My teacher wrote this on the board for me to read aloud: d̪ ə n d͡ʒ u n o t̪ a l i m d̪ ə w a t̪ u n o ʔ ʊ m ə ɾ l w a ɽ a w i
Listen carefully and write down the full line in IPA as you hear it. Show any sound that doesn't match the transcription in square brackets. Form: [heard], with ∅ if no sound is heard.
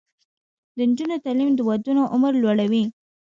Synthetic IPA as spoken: d̪ ə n d͡ʒ u n o t̪ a l i m d̪ ə w a [d̪] u n o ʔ ʊ m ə ɾ l w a ɽ a w i